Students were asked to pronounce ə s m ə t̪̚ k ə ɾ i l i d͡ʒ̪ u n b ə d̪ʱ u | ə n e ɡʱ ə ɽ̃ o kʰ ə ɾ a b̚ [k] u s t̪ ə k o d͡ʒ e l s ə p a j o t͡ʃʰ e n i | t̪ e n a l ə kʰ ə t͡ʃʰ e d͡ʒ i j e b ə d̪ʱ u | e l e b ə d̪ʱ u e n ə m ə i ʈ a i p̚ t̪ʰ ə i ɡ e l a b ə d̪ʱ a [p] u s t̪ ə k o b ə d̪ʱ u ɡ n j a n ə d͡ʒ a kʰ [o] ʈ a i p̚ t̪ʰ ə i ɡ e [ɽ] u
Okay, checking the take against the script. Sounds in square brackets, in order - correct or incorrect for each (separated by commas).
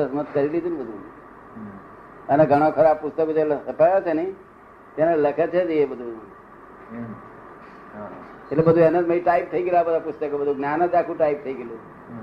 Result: incorrect, correct, incorrect, incorrect